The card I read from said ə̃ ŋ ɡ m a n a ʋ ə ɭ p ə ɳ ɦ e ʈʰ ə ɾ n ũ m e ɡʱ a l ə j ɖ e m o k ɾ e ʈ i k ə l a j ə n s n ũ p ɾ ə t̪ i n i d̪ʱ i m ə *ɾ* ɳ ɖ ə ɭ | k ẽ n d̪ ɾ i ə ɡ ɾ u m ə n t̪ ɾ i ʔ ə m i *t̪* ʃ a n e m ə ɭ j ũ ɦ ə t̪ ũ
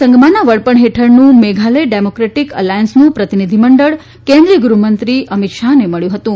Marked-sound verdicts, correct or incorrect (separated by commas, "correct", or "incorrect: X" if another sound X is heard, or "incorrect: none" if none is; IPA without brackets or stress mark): incorrect: none, correct